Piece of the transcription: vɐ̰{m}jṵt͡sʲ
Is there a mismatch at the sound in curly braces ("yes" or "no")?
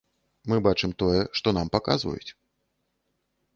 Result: yes